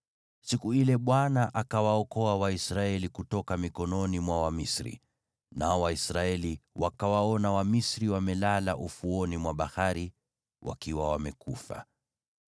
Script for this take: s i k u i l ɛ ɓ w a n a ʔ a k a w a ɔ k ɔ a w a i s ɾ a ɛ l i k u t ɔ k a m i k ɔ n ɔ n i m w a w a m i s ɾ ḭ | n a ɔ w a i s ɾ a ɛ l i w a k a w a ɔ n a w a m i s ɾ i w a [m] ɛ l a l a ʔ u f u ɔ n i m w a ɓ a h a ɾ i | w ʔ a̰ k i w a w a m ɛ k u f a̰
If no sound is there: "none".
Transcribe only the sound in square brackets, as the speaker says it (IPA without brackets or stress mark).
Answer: m